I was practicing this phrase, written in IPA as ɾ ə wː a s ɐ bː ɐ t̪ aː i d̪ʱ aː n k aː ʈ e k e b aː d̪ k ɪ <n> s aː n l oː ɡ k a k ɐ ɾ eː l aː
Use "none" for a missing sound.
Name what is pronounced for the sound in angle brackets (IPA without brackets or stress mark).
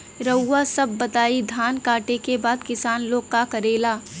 none